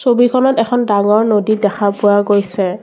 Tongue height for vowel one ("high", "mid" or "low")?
mid